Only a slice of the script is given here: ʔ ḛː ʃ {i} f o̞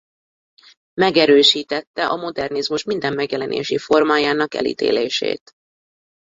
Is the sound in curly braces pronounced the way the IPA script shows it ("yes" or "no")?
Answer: yes